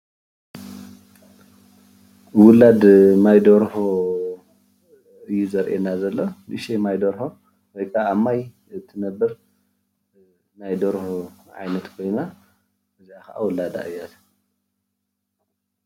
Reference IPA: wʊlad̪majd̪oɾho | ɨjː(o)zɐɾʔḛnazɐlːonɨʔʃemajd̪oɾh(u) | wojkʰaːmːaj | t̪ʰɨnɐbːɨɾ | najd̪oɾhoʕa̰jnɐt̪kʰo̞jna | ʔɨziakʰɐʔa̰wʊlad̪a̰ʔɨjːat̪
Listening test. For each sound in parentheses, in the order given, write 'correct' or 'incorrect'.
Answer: incorrect, incorrect

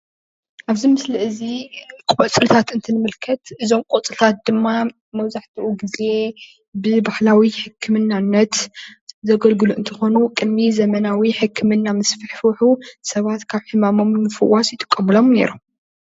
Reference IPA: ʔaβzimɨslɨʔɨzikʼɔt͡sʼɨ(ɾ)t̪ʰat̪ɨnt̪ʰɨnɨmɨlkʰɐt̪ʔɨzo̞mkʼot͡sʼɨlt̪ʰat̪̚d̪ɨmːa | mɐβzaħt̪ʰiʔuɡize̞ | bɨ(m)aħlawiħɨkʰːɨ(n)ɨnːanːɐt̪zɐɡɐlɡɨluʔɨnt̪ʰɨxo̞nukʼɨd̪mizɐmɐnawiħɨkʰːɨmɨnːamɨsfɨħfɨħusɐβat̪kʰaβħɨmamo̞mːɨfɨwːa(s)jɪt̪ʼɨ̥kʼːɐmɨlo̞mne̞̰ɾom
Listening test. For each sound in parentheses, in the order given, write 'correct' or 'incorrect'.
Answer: incorrect, incorrect, incorrect, correct

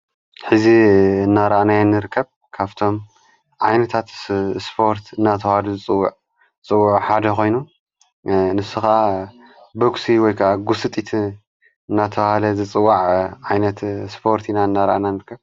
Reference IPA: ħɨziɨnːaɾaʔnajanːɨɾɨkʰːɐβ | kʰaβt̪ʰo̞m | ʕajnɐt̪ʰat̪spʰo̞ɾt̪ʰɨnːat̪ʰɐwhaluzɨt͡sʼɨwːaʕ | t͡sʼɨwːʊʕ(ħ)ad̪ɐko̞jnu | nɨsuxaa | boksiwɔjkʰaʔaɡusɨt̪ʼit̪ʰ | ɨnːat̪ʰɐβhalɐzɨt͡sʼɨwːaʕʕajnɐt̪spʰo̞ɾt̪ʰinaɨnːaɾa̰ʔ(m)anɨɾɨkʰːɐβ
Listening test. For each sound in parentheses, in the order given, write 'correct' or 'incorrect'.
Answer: correct, incorrect

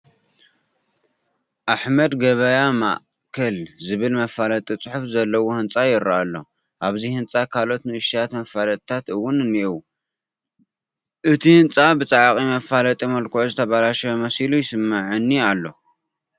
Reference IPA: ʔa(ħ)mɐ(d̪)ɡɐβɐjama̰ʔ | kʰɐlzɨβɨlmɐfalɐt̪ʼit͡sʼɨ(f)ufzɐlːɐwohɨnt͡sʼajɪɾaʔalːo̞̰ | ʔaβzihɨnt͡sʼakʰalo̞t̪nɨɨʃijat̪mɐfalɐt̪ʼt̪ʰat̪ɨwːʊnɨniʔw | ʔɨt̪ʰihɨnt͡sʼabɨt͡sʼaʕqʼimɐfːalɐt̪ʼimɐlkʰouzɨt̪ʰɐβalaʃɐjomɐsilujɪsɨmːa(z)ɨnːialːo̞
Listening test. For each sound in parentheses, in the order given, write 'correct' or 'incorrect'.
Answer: correct, correct, incorrect, incorrect

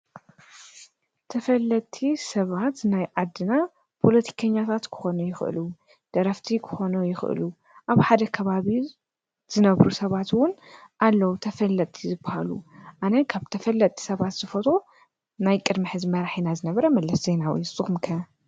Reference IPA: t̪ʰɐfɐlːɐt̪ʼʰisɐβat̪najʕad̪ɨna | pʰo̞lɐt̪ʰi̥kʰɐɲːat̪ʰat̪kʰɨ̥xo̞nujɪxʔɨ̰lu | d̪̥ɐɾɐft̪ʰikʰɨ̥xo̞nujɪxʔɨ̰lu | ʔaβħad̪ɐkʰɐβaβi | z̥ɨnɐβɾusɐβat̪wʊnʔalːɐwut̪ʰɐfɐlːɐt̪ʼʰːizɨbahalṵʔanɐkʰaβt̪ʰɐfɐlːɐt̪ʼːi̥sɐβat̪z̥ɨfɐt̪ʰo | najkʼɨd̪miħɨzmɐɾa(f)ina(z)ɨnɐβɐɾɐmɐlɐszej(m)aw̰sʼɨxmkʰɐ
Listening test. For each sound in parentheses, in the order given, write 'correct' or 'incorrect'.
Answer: incorrect, correct, incorrect

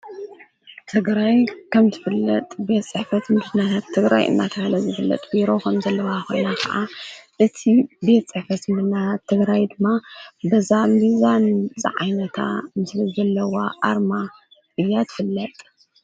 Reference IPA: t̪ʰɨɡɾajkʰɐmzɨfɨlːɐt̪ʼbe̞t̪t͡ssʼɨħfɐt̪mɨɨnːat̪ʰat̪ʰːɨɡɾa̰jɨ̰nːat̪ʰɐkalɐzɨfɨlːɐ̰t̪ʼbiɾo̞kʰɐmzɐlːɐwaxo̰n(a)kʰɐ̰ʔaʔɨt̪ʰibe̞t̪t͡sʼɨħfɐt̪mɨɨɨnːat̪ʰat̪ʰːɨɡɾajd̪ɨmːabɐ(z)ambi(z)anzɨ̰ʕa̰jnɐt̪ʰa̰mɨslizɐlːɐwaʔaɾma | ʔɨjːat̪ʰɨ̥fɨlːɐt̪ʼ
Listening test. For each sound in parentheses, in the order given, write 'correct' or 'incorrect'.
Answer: correct, correct, correct

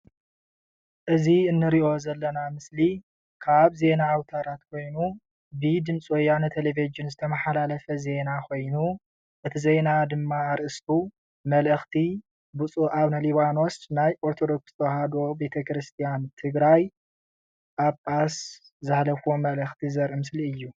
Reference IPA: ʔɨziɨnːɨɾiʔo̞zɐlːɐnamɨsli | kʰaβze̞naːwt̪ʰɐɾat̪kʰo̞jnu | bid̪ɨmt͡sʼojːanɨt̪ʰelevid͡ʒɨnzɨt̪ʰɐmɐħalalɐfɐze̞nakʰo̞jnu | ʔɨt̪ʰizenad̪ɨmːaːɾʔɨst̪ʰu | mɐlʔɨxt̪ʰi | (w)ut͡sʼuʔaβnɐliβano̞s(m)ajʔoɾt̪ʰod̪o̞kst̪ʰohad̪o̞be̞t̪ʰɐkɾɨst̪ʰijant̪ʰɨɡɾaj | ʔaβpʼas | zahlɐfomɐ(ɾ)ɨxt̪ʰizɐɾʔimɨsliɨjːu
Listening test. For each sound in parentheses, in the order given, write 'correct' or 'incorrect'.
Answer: incorrect, incorrect, incorrect

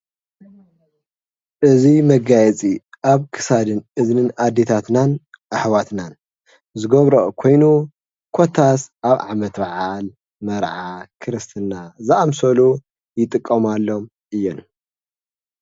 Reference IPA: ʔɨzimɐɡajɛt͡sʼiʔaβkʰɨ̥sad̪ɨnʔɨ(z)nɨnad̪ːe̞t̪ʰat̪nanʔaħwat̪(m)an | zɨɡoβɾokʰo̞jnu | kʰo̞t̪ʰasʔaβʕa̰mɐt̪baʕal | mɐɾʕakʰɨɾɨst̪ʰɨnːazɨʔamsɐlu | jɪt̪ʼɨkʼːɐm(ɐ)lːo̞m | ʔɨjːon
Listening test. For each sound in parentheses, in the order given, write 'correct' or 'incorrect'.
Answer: correct, incorrect, incorrect

